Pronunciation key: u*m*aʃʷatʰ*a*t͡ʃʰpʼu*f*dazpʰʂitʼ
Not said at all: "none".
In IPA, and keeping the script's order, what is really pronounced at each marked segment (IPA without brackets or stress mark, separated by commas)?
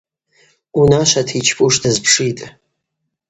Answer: n, i, ʂ